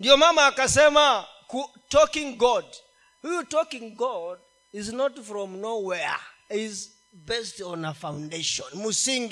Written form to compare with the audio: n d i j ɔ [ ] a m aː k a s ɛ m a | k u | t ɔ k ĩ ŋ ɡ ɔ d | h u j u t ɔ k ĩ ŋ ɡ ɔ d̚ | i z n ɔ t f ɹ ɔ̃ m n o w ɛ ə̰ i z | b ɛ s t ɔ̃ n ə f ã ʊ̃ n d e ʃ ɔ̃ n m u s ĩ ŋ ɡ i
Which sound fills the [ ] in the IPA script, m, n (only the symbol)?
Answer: m